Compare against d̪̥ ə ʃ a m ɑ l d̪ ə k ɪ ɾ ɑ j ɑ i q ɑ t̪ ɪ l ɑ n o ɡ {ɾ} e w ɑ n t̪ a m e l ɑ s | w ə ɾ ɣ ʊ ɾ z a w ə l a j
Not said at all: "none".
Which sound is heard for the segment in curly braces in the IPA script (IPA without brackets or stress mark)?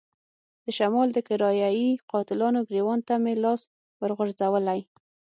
ɾ